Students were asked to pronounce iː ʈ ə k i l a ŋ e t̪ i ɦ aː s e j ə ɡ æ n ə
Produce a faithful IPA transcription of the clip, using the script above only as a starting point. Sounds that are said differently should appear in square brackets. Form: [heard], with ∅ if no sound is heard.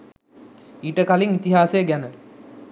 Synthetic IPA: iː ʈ ə k [a] l [i] ŋ [i] t̪ i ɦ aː s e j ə ɡ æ n ə